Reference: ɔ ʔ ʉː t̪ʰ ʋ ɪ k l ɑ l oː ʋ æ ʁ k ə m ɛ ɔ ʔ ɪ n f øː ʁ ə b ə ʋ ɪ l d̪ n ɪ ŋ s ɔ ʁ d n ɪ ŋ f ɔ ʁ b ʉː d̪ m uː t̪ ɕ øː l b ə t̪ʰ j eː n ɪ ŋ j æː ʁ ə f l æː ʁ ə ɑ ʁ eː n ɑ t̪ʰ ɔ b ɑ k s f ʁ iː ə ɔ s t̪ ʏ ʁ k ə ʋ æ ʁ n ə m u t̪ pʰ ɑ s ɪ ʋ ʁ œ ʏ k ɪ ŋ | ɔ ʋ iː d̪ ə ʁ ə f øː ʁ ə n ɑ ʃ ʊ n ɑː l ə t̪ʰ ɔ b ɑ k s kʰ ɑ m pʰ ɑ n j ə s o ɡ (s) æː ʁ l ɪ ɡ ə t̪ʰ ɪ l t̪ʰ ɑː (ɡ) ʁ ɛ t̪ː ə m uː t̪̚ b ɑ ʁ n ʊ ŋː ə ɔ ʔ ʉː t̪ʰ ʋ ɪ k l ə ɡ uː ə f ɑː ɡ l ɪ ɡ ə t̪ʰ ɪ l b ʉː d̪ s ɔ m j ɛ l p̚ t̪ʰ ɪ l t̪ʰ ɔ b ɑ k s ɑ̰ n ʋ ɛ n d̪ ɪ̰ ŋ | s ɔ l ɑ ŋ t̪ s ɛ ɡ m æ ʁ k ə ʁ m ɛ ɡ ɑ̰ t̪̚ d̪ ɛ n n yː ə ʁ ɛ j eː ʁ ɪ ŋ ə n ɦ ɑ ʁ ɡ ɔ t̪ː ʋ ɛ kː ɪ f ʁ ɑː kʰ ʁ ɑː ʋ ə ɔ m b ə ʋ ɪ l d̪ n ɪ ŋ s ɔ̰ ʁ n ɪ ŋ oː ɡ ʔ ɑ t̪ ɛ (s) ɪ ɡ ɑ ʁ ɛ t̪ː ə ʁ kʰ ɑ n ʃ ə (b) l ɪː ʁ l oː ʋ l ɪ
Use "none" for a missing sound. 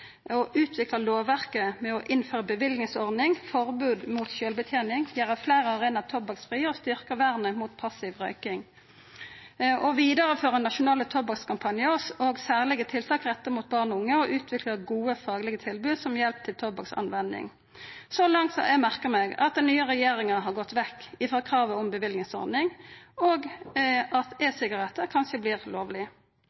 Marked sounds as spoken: s, k, s, b

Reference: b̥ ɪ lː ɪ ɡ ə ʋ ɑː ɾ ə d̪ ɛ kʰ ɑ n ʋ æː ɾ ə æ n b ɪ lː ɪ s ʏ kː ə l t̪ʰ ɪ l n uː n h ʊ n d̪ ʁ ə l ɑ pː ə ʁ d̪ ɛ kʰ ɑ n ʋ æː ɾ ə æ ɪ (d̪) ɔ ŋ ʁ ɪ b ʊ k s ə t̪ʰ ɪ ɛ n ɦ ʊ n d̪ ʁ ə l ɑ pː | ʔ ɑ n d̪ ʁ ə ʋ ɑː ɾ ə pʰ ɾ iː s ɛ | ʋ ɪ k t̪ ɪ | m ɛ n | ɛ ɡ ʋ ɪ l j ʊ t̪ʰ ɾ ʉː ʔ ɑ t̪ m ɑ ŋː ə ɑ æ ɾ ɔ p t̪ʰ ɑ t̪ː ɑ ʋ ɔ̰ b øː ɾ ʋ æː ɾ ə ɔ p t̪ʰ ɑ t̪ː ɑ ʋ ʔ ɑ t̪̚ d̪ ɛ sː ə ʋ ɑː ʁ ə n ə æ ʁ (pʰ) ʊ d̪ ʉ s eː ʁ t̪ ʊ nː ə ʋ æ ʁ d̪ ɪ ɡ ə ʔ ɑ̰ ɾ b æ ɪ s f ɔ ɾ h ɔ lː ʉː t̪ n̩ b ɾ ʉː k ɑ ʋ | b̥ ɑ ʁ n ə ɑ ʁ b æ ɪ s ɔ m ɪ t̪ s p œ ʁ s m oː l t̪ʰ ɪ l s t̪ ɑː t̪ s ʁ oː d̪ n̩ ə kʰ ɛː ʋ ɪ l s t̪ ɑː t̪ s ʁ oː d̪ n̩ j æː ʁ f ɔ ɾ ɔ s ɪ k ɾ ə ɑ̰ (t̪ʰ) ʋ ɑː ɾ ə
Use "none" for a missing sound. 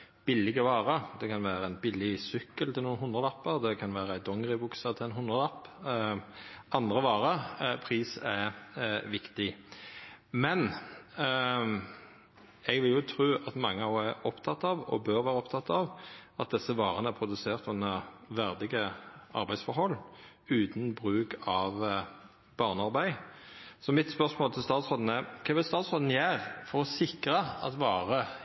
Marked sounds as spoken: d̪, pʰ, t̪

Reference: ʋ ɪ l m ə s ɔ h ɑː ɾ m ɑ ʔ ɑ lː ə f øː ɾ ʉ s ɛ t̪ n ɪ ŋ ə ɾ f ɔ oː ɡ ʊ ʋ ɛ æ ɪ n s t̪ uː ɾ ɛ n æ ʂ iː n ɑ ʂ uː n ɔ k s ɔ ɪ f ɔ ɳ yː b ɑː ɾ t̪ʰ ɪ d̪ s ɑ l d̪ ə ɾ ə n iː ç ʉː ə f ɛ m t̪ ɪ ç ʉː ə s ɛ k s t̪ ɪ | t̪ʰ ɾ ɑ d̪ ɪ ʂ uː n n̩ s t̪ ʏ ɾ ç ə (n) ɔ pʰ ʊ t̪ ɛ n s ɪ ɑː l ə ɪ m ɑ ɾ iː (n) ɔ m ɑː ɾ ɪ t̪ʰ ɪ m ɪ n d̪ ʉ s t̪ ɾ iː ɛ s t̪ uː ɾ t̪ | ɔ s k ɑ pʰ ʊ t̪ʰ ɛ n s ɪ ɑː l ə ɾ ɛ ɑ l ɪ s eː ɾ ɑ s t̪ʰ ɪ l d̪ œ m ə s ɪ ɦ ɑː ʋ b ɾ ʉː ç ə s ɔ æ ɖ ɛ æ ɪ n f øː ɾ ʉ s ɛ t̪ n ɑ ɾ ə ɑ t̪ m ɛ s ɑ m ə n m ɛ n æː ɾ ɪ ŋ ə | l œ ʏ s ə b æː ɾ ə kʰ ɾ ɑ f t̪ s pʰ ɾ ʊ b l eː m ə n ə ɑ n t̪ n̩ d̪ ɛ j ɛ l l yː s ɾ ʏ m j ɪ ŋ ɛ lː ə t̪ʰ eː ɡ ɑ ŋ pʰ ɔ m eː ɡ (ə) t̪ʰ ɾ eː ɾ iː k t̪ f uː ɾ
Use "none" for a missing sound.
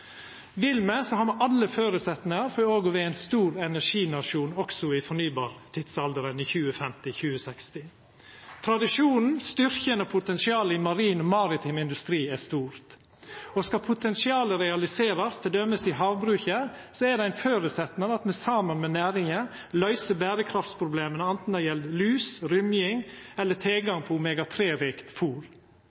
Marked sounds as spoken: n, n, ɑ

